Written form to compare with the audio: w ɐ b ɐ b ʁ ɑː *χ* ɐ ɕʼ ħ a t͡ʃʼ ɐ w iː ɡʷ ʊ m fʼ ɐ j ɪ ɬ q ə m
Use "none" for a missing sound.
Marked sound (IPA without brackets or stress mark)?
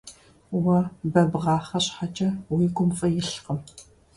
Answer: χ